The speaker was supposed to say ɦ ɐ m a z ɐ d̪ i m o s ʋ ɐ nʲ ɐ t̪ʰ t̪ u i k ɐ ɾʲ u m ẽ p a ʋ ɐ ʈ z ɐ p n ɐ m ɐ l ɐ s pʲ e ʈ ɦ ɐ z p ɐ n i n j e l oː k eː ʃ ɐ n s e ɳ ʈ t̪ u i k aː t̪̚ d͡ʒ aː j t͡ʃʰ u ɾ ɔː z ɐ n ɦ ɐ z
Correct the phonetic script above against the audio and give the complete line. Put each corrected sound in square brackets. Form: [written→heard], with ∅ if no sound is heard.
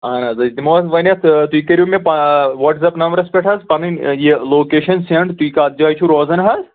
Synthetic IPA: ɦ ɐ [m→n] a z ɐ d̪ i m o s ʋ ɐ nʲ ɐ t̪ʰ t̪ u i k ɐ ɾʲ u m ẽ p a ʋ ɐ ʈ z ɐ p n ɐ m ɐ [l→ɾ] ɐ s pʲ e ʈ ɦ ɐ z p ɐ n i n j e l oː k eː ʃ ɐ n s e ɳ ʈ t̪ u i k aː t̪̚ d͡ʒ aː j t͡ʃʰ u ɾ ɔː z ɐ n ɦ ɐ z

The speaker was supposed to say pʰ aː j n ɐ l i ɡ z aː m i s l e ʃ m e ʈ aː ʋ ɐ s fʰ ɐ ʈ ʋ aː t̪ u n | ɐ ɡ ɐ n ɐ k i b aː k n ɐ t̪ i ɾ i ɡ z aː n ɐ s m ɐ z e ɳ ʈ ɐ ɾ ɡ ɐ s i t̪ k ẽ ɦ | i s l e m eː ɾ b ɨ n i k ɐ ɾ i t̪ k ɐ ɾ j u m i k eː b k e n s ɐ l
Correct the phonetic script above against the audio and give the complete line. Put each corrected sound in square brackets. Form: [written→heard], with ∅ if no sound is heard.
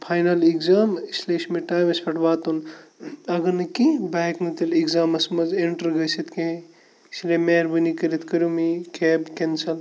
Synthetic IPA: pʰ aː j n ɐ l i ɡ z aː m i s l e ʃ m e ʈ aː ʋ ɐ s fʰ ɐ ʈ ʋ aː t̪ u n | ɐ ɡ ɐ n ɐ k i b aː k n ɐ t̪ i [ɾ→l] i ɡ z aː [n→m] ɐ s m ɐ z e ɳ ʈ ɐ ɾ ɡ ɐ s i t̪ k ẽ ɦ | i s l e m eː ɾ b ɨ n i k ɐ ɾ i t̪ k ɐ ɾ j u m i k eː b k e n s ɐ l

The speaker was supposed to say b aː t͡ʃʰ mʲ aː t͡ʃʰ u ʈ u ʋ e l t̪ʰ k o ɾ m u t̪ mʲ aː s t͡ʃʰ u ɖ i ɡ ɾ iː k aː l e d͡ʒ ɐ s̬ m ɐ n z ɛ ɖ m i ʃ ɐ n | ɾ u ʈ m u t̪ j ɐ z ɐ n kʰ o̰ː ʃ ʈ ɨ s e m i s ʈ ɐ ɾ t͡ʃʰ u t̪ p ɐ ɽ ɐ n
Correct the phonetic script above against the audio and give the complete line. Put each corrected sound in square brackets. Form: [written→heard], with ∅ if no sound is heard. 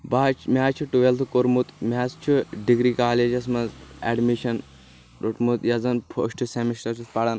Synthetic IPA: b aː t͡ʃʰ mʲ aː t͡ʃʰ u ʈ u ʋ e l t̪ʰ k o ɾ m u t̪ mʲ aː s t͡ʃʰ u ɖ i ɡ ɾ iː k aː l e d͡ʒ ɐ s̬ m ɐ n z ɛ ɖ m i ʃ ɐ n | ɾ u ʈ m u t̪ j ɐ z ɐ n [kʰ→pʰ] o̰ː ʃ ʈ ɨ s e m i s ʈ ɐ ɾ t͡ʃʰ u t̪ p ɐ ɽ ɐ n

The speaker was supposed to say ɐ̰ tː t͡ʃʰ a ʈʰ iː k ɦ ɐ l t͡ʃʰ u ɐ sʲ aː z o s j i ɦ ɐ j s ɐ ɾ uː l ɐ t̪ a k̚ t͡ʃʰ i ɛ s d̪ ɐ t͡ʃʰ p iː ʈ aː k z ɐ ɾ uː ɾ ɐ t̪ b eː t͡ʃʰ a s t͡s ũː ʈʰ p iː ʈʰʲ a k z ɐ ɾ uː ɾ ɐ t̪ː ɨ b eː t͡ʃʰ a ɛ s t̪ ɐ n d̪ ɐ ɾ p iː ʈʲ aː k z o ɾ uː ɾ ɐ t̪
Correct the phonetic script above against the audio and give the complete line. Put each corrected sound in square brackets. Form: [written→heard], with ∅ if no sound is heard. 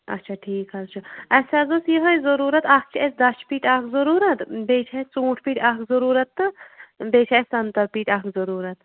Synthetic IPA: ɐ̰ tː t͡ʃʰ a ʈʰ iː k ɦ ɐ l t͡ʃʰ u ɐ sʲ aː z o s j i ɦ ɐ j [s→z] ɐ ɾ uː [l→ɾ] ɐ t̪ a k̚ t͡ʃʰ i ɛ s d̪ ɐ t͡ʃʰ p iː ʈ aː k z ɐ ɾ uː ɾ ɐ t̪ b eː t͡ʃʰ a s t͡s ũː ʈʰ p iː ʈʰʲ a k z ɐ ɾ uː ɾ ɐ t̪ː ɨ b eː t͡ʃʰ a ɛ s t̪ ɐ n [d̪→t̪] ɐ ɾ p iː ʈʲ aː k z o ɾ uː ɾ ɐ t̪

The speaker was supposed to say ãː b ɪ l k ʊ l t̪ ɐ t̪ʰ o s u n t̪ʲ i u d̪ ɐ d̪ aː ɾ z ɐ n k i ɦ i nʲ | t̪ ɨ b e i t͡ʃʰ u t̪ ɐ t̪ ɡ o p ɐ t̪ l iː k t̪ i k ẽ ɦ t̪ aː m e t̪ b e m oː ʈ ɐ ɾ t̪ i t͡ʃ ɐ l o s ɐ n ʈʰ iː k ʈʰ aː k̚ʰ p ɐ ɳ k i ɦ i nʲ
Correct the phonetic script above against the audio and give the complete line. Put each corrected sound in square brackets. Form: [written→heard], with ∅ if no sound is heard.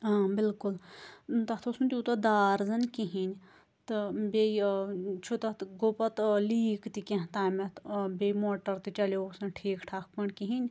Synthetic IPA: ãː b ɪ l k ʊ l t̪ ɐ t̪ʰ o s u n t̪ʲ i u [d̪→t̪] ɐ d̪ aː ɾ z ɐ n k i ɦ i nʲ | t̪ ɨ b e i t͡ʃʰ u t̪ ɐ t̪ ɡ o p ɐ t̪ l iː k t̪ i k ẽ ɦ t̪ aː m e t̪ b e m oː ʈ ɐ ɾ t̪ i t͡ʃ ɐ l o s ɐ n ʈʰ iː k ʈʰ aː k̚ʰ p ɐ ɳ k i ɦ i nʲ

